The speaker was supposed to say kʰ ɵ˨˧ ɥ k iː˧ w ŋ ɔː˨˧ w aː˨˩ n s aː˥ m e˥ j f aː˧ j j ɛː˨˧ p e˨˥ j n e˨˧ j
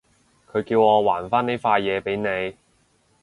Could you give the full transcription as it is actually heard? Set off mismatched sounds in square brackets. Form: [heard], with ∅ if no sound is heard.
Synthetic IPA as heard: kʰ ɵ˨˧ ɥ k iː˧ w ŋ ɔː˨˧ w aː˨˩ n [f] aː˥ [n] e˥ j f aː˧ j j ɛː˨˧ p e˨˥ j n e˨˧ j